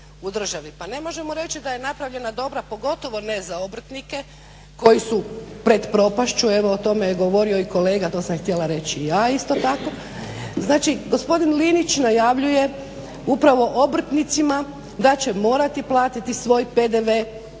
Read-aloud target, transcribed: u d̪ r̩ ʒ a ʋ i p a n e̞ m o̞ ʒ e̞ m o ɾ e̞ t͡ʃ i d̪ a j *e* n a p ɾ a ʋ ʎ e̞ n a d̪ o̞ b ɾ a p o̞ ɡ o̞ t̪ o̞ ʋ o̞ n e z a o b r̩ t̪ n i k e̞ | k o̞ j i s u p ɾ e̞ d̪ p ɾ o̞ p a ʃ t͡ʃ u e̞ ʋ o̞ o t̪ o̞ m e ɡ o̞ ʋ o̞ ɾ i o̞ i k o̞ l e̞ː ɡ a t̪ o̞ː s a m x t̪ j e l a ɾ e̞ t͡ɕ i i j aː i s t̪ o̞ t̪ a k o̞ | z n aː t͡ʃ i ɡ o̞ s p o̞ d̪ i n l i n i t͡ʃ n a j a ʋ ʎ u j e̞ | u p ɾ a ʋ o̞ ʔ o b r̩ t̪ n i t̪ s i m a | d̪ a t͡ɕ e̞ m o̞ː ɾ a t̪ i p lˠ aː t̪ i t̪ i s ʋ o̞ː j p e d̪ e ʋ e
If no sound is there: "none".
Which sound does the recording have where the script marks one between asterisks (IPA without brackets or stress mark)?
e